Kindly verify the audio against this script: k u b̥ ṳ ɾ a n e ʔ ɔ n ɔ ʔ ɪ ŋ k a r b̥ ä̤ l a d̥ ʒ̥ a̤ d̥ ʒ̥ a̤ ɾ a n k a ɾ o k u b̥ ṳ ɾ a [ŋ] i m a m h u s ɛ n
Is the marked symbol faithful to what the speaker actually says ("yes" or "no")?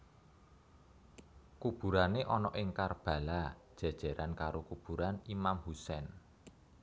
no